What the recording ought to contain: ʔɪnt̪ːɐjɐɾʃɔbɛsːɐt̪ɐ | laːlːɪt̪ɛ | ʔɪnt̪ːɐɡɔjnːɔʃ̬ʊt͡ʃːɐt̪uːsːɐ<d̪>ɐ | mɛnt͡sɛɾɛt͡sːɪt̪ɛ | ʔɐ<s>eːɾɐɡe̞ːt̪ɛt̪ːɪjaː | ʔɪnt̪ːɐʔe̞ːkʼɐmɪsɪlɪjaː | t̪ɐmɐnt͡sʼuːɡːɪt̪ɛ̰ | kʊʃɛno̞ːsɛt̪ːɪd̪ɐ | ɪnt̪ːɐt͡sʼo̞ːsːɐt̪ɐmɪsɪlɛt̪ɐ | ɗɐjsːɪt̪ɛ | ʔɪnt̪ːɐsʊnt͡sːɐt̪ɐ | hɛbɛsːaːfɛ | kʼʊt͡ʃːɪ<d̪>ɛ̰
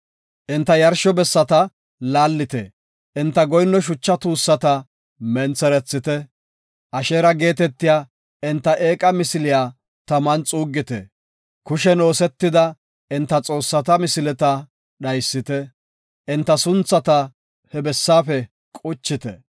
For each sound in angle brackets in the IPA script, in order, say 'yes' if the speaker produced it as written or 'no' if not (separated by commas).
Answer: no, no, no